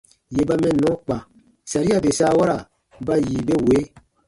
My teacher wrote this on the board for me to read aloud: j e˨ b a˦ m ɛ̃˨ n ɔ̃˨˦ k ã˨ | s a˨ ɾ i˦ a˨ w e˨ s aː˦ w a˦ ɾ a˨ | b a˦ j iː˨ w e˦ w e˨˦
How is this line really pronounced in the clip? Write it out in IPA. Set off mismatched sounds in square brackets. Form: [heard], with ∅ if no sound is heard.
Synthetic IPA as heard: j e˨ b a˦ m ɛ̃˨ n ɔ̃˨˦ [k͡p] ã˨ | s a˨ ɾ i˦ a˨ [b] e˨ s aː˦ w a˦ ɾ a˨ | b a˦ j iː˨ [b] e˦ w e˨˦